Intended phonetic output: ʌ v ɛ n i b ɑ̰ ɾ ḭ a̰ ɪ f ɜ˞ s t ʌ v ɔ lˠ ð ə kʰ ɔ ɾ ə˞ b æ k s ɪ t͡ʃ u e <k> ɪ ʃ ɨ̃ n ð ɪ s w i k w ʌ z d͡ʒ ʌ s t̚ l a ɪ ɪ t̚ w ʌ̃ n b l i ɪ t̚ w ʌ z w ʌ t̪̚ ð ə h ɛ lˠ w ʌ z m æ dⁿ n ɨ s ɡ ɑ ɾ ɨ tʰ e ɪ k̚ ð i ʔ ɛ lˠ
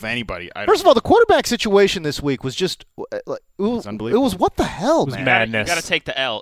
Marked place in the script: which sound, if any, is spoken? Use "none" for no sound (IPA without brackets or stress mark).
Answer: none